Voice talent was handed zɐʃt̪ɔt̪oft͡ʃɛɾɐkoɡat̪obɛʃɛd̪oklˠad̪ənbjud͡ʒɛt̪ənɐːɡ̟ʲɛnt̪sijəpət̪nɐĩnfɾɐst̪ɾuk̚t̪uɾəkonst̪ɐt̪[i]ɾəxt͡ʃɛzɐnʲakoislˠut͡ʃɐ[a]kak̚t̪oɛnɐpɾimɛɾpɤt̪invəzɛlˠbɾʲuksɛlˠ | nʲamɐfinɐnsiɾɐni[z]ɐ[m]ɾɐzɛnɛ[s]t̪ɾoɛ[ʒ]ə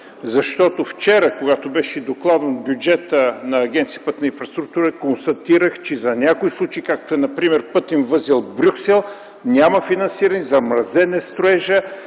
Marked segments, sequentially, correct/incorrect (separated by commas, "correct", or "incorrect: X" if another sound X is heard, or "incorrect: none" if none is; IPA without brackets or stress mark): correct, incorrect: i, correct, correct, correct, correct